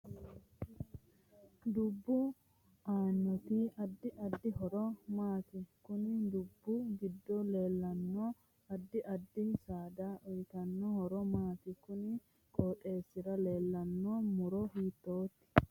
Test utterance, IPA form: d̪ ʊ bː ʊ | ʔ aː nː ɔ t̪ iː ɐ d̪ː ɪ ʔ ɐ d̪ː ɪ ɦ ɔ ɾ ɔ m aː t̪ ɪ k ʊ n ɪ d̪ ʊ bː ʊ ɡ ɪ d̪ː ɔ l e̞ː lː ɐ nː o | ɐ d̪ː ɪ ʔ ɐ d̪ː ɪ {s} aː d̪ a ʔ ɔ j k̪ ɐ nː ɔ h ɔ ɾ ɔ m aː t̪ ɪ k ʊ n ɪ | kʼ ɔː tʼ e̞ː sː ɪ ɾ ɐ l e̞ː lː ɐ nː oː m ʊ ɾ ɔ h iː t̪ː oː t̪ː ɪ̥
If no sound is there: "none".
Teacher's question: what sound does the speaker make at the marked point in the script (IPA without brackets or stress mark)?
s